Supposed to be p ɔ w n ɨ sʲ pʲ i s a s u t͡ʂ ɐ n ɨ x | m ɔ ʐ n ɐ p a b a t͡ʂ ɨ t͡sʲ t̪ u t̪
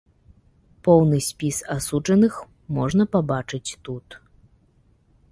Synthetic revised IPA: p ɔ w n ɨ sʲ pʲ i s a s u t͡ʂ ɐ n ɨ x | m ɔ ʐ n ɐ p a b a t͡ʂ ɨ t͡sʲ t̪ u t̪